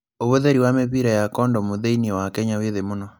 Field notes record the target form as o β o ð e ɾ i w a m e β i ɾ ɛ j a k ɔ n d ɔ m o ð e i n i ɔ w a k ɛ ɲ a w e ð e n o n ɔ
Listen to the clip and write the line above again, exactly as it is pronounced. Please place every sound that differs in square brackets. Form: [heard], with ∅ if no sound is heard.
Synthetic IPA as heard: o β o ð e ɾ i w a m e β i ɾ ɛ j a k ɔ n d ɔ m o ð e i n i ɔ w a k ɛ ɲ a w e ð e [m] o n ɔ